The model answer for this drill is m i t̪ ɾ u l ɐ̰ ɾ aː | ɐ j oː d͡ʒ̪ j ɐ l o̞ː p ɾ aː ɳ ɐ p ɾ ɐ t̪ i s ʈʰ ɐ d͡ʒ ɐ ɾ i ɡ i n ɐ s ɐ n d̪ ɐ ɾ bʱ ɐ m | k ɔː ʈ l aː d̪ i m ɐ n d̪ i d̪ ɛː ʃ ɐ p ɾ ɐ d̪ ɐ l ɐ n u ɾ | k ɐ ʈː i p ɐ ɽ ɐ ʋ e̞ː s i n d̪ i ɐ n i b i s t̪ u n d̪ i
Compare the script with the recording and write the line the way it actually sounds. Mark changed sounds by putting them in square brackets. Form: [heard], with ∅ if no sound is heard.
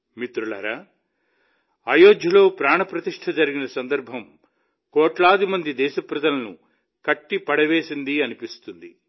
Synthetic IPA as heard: m i t̪ ɾ u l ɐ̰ ɾ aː | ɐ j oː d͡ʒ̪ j ɐ l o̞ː p ɾ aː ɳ ɐ p ɾ ɐ t̪ i [ʂ] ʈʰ ɐ d͡ʒ ɐ ɾ i ɡ i n ɐ s ɐ n d̪ ɐ ɾ bʱ ɐ m | k ɔː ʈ l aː d̪ i m ɐ n d̪ i d̪ ɛː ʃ ɐ p ɾ ɐ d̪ ɐ l ɐ n u [∅] | k ɐ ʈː i p ɐ ɽ ɐ ʋ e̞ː s i n d̪ i ɐ n i [p] i s t̪ u n d̪ i